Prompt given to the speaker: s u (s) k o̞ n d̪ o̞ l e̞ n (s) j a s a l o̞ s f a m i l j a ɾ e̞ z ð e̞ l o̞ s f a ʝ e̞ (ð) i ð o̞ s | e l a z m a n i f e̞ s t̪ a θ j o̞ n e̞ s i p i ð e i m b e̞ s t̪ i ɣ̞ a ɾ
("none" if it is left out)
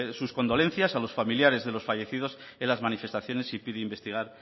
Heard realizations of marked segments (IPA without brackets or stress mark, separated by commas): s, θ, θ